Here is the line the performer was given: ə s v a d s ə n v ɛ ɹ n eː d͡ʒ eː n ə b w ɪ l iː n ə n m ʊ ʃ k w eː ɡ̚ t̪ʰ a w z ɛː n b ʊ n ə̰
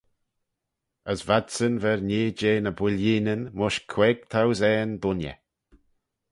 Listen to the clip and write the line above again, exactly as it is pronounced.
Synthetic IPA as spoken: ə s v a d s ə n v ɛ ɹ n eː d͡ʒ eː n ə b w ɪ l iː n ə n m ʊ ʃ kʰ w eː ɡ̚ t̪ʰ a w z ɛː n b ʊ n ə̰